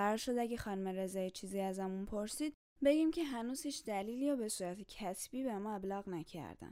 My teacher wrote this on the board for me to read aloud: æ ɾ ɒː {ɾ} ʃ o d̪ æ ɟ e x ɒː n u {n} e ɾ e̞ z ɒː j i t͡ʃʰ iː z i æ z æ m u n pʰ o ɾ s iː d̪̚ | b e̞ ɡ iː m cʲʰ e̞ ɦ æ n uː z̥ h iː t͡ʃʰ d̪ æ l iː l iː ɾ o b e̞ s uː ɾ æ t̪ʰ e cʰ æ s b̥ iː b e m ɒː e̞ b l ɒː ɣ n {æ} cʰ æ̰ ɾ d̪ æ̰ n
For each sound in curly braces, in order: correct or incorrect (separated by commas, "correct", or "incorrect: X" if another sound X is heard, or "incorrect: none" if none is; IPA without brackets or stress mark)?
correct, incorrect: m, correct